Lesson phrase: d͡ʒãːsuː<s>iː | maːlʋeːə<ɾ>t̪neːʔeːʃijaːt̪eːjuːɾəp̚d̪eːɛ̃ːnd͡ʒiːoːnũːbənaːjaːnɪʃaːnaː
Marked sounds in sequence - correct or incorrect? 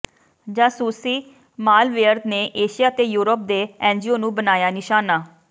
correct, correct

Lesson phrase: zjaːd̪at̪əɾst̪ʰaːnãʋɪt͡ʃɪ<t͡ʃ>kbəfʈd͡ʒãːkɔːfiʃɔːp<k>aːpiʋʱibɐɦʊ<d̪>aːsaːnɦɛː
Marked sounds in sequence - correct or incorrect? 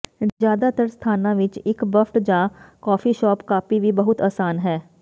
incorrect, correct, incorrect

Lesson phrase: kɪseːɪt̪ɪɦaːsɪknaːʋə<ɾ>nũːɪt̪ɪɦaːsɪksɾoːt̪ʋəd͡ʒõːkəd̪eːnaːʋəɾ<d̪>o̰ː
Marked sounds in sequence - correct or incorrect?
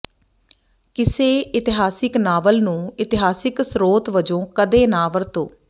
incorrect, incorrect

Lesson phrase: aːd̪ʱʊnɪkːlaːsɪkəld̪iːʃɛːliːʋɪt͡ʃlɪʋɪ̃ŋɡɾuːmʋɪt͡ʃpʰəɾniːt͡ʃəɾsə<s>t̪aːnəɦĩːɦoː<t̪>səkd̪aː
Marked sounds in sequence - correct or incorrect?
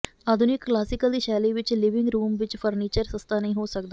correct, incorrect

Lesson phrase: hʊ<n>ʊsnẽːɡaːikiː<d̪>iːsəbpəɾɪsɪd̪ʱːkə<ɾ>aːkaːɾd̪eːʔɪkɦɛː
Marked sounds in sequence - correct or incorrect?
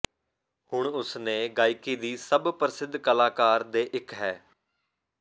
incorrect, correct, incorrect

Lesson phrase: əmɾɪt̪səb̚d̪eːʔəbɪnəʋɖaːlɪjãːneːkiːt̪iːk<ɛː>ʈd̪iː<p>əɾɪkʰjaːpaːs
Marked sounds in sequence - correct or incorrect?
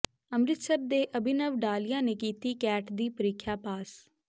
correct, correct

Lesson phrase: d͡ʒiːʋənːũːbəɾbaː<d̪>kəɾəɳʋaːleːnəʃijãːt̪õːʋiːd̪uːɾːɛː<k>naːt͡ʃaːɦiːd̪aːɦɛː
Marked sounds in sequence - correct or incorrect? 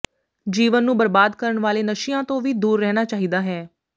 correct, incorrect

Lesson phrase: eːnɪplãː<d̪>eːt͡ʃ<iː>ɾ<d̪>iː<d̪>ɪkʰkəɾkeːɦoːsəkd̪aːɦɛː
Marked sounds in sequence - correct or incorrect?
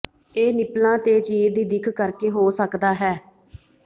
incorrect, correct, correct, correct

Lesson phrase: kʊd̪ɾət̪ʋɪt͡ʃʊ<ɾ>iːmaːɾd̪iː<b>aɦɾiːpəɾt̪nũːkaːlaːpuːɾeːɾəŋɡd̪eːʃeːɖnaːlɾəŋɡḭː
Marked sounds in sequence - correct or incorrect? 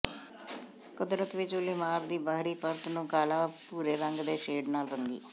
incorrect, correct

